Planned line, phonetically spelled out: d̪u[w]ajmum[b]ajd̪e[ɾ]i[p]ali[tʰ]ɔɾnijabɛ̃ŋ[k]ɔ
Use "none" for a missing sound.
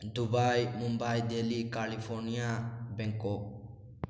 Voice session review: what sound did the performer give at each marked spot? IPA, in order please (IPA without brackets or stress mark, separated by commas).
b, b, l, k, pʰ, k